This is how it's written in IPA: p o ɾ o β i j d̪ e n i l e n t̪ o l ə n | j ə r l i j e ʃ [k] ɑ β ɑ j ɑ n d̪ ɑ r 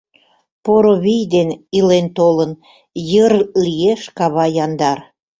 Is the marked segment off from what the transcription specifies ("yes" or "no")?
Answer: no